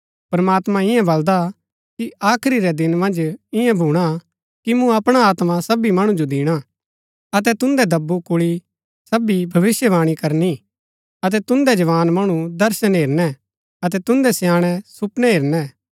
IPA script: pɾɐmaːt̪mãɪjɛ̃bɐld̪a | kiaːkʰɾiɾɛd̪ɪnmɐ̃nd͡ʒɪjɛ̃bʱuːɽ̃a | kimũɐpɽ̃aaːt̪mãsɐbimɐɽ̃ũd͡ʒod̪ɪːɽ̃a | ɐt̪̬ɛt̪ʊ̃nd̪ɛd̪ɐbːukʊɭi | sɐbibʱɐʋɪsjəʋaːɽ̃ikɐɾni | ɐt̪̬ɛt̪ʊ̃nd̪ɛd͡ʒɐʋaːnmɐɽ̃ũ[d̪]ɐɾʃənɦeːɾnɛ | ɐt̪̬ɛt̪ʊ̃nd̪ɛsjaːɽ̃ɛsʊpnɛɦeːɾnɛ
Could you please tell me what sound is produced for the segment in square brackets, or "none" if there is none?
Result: d̪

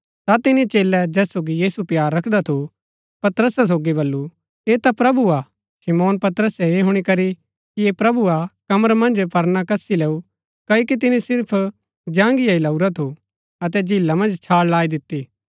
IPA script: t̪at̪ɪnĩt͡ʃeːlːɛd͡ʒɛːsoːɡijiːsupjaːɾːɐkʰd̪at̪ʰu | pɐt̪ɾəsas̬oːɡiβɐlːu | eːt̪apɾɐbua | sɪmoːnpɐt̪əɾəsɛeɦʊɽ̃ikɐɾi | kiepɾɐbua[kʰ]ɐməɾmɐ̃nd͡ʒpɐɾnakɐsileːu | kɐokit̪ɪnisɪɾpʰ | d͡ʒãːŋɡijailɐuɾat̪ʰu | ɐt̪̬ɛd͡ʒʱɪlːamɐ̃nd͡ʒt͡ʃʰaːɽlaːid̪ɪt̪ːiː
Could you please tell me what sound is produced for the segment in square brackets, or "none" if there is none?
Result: k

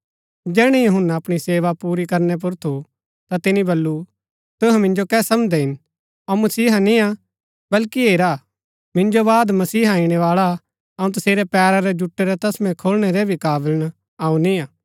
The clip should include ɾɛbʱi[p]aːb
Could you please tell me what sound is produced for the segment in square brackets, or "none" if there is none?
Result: k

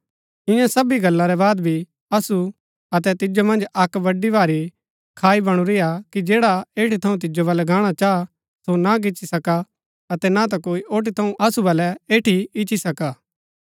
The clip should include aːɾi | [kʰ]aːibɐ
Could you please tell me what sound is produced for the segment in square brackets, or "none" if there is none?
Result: kʰ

